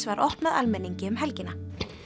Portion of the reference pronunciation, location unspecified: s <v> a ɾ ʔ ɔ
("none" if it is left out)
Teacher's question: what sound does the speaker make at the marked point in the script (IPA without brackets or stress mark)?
v